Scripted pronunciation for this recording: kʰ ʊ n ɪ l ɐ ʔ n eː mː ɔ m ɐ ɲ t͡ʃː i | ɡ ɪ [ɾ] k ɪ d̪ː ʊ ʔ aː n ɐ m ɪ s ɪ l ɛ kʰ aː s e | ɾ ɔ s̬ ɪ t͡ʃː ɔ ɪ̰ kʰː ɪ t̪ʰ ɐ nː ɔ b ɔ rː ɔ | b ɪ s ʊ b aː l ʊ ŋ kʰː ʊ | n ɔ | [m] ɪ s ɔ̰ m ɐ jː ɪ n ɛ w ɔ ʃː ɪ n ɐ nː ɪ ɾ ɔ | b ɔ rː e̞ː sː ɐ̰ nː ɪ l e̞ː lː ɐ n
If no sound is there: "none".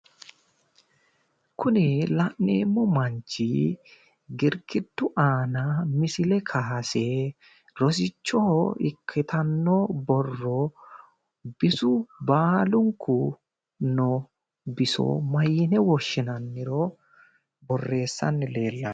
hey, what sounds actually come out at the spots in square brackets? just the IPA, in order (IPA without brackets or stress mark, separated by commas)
ɾ, b